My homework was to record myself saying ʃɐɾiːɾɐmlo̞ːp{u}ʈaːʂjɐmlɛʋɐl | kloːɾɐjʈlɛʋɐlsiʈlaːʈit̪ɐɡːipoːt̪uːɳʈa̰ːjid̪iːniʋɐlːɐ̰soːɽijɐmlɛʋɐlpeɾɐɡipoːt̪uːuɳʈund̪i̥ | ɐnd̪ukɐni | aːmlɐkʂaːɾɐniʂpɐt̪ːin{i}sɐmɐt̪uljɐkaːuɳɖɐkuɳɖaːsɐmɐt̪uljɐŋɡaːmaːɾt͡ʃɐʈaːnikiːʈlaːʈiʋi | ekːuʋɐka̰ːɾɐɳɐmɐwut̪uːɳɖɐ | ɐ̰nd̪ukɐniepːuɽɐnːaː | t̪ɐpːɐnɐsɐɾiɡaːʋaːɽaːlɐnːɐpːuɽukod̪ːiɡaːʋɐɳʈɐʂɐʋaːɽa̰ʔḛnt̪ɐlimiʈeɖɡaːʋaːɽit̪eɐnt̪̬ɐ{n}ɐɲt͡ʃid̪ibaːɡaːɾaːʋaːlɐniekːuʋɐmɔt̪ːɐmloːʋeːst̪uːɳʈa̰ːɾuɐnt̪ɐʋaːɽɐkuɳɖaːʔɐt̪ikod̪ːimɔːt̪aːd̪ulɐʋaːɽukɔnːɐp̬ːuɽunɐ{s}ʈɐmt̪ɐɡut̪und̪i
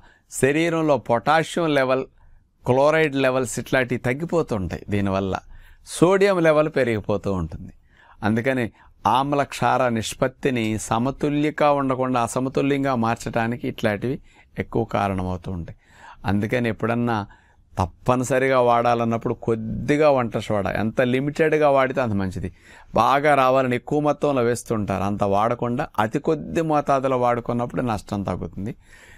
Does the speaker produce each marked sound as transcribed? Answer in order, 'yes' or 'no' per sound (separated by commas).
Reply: no, yes, no, no